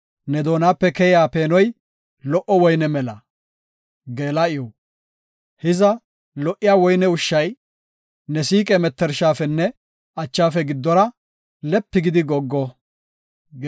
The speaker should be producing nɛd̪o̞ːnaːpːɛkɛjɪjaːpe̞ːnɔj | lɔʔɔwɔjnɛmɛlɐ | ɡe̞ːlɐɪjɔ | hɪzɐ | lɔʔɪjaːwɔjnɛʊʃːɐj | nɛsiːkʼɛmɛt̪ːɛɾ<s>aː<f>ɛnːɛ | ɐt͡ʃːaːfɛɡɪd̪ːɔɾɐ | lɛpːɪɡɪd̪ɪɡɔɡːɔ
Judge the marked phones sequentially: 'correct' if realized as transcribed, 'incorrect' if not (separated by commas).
incorrect, correct